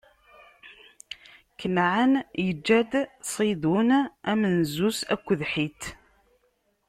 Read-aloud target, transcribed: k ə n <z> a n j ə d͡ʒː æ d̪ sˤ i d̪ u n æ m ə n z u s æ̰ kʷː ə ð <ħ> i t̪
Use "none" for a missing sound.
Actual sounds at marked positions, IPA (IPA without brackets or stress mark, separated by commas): ʕ, ħ